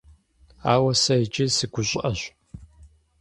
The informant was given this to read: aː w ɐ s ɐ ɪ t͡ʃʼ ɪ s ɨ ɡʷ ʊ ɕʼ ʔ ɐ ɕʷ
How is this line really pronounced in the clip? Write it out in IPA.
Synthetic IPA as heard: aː w ɐ s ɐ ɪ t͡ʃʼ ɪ s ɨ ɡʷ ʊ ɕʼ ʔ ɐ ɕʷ